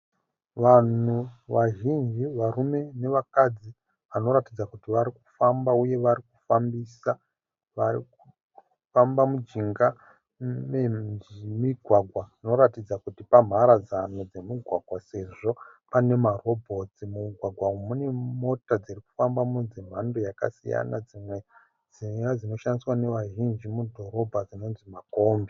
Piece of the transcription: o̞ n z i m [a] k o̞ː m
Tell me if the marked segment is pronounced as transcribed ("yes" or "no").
yes